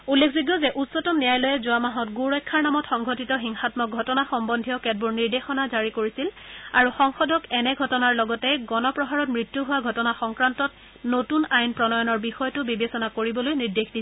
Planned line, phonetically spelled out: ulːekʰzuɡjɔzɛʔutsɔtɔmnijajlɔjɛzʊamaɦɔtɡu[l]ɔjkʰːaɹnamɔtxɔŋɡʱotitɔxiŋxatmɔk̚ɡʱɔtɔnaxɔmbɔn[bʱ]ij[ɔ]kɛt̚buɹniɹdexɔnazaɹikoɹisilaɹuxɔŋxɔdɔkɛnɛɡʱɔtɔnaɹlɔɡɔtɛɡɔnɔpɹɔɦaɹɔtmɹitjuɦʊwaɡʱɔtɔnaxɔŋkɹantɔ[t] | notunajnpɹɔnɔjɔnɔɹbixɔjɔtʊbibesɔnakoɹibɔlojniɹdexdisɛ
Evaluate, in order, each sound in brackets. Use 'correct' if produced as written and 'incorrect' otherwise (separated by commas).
incorrect, incorrect, correct, correct